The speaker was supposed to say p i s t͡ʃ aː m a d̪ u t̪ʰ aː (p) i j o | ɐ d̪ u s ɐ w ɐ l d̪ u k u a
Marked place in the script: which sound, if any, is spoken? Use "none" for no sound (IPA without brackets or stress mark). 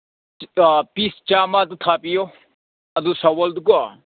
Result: p